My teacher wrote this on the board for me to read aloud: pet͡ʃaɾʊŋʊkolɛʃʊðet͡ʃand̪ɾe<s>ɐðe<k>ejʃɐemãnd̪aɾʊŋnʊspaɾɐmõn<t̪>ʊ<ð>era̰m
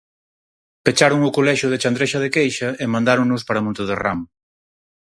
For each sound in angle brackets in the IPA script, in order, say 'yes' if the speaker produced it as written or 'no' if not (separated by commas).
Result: no, yes, yes, yes